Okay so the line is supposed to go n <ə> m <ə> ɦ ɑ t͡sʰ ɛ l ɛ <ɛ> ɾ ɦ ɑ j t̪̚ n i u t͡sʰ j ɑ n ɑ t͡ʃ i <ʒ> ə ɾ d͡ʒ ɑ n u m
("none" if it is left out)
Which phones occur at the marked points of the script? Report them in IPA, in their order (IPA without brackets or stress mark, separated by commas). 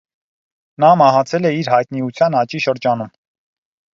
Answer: ɑ, ɑ, i, ʃ